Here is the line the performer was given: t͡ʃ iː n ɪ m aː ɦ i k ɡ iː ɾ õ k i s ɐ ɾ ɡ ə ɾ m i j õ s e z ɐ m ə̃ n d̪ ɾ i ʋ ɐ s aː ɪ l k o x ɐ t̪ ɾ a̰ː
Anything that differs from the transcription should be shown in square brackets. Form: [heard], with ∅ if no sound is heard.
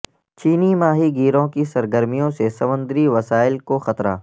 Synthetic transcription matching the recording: t͡ʃ iː n [i] m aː ɦ i [∅] ɡ iː ɾ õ k i s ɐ ɾ ɡ ə ɾ m i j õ s e [s] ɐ m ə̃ n d̪ ɾ i ʋ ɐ s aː ɪ l k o x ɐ t̪ ɾ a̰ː